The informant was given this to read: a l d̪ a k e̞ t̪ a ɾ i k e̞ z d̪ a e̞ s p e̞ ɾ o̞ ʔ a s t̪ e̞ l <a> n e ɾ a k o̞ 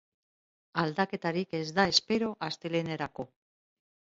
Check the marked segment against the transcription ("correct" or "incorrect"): incorrect